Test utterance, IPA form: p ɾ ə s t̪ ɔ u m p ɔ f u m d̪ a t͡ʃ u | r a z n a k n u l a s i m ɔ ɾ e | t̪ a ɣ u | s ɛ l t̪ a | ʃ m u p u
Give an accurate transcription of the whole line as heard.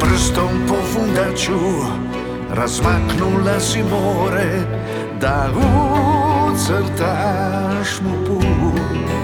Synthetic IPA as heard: p ɾ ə s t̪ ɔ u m p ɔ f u n d̪ a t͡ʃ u | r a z m a k n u l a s i m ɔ ɾ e | d̪ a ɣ u | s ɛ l t̪ a | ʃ m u p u